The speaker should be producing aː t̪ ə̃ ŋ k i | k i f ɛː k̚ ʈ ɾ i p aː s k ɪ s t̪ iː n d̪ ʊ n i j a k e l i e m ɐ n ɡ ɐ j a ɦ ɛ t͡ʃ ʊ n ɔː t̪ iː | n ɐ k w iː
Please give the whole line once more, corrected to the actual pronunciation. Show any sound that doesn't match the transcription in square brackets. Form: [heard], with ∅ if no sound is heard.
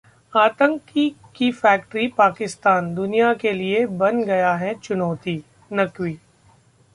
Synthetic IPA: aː t̪ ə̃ ŋ k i | k i f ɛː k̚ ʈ ɾ i p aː [∅] k ɪ s t̪ [aː] n d̪ ʊ n i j a k e l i e [b] ɐ n ɡ ɐ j a ɦ ɛ t͡ʃ ʊ n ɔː t̪ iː | n ɐ k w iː